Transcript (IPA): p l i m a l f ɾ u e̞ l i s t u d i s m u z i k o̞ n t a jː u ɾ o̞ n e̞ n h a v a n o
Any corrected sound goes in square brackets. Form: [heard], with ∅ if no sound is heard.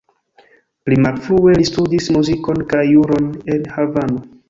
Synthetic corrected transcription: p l i m a l f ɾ u e̞ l i s t u d i s m u z i k o̞ n [k] a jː u ɾ o̞ n e̞ n h a v a n o